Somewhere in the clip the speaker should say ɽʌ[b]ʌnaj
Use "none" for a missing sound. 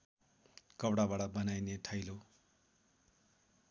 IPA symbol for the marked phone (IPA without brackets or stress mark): b